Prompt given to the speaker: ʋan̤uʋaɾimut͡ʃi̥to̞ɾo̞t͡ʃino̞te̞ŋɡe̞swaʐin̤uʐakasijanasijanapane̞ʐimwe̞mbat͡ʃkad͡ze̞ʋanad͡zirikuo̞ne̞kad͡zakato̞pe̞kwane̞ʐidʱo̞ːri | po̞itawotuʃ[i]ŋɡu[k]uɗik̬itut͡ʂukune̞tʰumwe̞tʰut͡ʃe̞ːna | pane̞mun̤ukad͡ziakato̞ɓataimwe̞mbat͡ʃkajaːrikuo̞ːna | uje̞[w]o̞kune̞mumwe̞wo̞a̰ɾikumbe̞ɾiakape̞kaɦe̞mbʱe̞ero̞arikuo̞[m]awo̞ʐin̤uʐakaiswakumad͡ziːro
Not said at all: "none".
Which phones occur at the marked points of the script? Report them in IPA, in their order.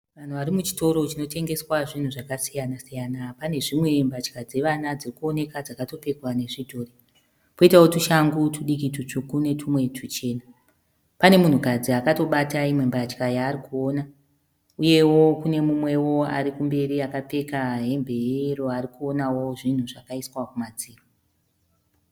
a, t, w, n

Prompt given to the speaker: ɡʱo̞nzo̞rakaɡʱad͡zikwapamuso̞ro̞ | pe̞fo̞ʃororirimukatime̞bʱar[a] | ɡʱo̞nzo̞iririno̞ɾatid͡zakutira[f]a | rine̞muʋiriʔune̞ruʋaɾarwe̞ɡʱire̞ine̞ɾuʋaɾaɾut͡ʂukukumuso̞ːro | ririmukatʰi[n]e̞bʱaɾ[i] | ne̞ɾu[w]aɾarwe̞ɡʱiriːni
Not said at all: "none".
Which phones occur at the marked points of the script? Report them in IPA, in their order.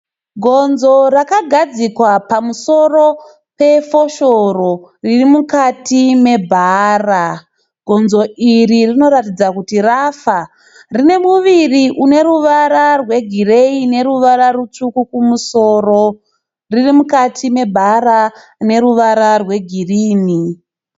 a, f, m, a, ʋ

